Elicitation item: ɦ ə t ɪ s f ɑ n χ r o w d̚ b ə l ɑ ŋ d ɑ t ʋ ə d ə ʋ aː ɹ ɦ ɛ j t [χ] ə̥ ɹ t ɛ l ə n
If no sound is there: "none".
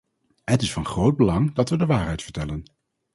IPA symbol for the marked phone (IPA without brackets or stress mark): f